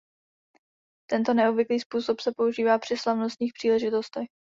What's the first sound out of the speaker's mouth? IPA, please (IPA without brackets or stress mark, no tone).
t̪